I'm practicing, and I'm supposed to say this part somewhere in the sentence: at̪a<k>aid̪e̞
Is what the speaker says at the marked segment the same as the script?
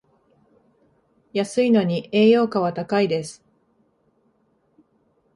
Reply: yes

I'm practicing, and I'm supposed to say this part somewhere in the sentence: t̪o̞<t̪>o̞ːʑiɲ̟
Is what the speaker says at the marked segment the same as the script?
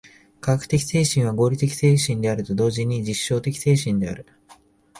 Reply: no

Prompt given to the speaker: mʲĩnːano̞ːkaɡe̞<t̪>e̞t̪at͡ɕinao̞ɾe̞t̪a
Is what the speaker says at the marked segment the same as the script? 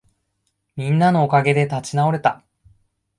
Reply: no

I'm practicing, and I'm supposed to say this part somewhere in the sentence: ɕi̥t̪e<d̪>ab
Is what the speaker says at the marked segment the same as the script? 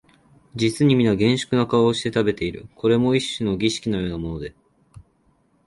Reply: no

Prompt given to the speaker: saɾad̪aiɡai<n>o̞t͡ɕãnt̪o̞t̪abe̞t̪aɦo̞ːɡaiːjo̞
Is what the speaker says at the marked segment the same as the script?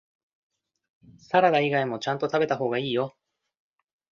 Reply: no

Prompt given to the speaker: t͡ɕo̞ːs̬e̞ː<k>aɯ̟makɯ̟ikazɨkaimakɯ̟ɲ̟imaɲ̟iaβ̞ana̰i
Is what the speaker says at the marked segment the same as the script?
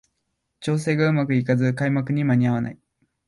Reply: no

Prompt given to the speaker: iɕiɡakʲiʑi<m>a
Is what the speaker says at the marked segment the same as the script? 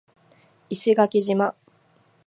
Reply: yes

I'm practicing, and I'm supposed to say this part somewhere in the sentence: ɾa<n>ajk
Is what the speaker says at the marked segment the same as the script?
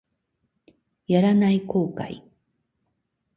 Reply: yes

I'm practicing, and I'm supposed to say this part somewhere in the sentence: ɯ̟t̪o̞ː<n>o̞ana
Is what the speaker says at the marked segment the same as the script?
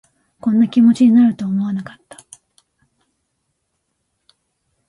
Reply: no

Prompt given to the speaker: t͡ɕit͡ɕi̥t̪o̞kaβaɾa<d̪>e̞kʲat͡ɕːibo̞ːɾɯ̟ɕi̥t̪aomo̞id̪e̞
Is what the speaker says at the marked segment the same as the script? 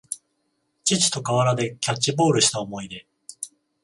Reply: yes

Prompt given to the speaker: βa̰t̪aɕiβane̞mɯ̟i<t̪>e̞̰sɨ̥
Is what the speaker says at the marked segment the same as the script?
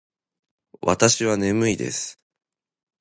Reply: no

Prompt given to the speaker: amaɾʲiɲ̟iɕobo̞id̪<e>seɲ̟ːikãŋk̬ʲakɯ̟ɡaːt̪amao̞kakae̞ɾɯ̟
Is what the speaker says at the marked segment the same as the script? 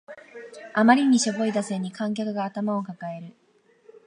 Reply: no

